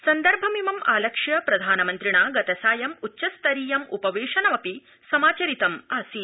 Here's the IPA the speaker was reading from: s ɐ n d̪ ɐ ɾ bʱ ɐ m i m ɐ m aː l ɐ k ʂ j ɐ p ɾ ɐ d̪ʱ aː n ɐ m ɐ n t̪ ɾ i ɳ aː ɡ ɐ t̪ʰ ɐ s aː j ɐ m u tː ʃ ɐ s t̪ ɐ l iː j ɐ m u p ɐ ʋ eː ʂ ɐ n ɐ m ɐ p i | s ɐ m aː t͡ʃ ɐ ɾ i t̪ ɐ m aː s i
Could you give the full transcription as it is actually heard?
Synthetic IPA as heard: s ɐ n d̪ ɐ ɾ bʱ ɐ m i m ɐ m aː l ɐ k ʂ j ɐ p ɾ ɐ d̪ʱ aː n ɐ m ɐ n t̪ ɾ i ɳ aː ɡ ɐ t̪ ɐ s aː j ɐ m u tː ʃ ɐ s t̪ ɐ ɾ iː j ɐ m u p ɐ ʋ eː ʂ ɐ n ɐ m ɐ p i | s ɐ m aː t͡ʃ ɐ ɾ i t̪ ɐ m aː s i